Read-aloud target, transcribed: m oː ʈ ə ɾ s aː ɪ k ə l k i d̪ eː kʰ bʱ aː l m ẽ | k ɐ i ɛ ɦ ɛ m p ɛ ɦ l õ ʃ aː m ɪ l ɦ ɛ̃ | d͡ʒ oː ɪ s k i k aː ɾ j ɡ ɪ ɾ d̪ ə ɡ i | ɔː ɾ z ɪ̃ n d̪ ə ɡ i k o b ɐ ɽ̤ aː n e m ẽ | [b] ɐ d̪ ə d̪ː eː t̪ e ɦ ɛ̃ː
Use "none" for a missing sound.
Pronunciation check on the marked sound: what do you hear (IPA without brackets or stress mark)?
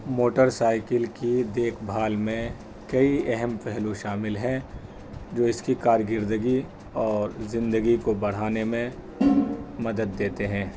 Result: m